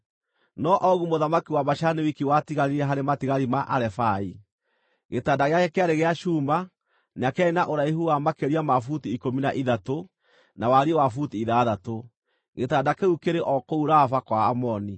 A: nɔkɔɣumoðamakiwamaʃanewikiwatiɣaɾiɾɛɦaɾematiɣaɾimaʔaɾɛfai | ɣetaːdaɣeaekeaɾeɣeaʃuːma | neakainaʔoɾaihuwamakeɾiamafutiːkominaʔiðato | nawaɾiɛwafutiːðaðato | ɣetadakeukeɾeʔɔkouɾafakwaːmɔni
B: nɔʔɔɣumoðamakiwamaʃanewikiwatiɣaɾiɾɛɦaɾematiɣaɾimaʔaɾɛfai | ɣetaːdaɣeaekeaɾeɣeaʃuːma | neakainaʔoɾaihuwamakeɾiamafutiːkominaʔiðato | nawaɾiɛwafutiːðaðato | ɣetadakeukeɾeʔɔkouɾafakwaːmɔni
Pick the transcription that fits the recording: B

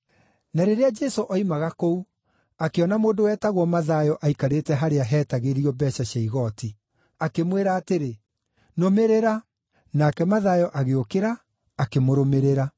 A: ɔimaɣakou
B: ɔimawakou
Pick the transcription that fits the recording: A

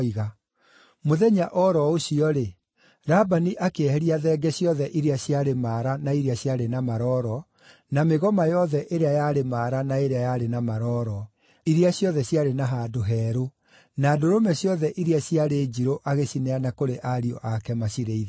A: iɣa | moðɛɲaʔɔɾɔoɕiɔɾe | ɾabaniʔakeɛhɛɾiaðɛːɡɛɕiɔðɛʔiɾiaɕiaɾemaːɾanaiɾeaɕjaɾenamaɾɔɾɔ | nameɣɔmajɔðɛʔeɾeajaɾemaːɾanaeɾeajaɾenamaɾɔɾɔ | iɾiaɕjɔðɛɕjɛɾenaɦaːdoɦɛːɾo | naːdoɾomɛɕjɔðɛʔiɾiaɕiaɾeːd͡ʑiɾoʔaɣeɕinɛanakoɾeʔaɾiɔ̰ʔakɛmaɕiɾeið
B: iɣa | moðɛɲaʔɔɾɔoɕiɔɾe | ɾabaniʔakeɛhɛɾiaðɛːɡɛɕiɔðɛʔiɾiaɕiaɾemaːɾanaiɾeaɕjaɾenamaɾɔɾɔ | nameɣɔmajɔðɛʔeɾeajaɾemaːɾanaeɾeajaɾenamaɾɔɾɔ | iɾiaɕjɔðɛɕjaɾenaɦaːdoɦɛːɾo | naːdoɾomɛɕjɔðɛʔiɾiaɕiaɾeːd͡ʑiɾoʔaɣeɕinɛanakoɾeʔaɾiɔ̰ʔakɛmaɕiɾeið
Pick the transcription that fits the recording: B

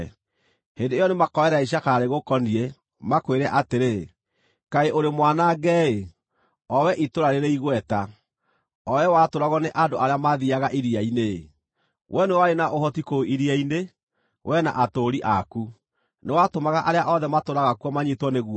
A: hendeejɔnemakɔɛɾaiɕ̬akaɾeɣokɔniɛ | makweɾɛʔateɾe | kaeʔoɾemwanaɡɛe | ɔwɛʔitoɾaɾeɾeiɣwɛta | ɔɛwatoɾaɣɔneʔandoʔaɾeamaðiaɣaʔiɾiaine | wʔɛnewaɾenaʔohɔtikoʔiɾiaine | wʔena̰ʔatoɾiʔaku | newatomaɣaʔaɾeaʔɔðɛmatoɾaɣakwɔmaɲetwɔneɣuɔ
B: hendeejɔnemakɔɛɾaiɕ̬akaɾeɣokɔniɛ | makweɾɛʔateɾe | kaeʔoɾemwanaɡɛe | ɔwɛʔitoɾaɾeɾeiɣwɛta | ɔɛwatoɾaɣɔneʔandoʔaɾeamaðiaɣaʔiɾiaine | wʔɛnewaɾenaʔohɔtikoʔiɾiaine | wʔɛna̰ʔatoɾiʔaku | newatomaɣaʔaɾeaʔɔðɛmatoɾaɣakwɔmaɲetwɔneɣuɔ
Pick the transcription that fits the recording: B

